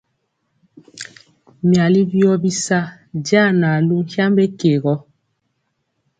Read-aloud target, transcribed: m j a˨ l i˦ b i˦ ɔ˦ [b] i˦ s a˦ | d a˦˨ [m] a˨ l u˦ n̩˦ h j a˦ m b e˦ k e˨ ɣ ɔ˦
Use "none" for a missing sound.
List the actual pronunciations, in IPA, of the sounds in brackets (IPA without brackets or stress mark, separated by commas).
b, n